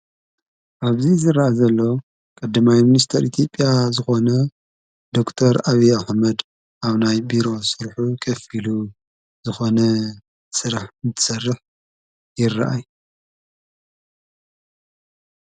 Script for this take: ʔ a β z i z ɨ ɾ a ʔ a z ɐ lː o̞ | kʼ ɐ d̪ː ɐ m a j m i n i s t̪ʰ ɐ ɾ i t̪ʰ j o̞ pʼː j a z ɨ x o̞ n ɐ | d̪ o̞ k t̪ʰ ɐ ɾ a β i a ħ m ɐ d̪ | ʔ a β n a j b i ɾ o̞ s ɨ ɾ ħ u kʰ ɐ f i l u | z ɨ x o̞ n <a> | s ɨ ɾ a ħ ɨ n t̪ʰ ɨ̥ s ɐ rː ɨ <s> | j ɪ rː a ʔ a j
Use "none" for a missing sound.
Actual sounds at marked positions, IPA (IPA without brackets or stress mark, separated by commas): ɐ, ħ